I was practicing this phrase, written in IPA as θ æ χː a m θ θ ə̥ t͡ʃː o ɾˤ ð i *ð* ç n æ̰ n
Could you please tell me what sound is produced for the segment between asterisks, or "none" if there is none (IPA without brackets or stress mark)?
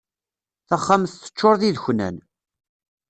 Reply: ð